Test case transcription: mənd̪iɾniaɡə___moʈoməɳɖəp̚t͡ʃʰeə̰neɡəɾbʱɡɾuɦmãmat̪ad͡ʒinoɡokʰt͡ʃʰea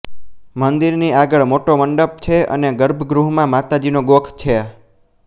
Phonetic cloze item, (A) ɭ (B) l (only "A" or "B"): A